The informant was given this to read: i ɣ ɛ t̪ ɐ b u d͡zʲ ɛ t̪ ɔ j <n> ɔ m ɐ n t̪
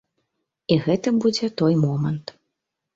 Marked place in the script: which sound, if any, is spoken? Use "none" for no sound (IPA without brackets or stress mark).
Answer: m